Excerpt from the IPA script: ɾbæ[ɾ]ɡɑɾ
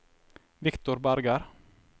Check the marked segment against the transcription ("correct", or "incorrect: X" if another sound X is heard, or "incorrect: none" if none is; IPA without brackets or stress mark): correct